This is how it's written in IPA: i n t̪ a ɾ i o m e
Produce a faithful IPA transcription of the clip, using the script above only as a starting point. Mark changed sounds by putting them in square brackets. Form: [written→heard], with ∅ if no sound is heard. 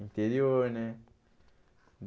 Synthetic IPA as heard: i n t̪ [a→e] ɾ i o [m→n] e